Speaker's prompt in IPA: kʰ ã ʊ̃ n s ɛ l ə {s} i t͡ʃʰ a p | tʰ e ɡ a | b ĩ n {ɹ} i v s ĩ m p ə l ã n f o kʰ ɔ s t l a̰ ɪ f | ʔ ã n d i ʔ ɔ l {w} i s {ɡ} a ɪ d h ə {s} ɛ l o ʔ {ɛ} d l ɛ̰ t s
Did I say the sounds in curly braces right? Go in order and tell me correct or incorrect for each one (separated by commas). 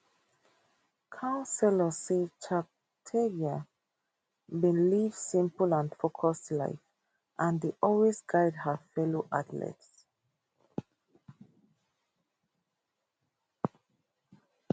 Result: correct, incorrect, correct, correct, incorrect, incorrect